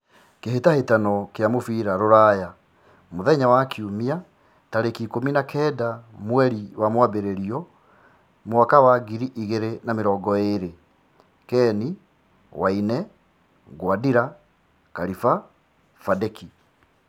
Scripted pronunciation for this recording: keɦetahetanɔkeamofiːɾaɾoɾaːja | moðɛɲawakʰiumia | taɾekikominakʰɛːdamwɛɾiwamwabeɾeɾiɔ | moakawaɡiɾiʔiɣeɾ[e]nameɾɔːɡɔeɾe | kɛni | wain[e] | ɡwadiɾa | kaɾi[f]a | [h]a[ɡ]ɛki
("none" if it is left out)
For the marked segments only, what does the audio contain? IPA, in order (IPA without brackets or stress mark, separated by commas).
e, ɛ, f, f, d